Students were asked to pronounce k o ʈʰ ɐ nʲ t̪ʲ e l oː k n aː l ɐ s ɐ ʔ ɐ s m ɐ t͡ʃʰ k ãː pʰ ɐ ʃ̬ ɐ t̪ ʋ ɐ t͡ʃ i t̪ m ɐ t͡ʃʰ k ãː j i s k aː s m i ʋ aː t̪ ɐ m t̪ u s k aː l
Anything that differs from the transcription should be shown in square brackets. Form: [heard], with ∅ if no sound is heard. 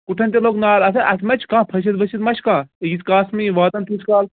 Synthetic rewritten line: k [u] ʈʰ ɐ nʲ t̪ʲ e l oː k n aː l ɐ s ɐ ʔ ɐ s m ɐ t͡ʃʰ k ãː pʰ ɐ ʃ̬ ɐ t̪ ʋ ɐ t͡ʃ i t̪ m ɐ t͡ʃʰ k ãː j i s k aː s m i ʋ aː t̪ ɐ [n] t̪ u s k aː l